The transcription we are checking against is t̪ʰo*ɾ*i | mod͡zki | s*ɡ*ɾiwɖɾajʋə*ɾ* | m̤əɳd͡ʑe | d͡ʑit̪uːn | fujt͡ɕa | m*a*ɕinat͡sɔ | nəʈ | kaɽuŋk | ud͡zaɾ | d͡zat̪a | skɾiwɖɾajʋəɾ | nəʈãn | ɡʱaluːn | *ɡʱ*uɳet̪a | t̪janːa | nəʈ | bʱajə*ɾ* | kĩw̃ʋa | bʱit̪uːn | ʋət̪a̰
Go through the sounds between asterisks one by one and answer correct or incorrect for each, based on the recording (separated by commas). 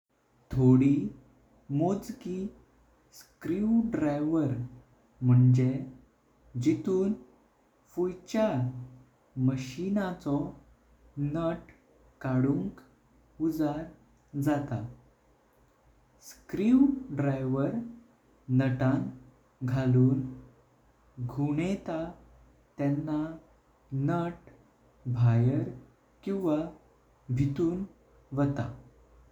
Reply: incorrect, incorrect, correct, incorrect, correct, correct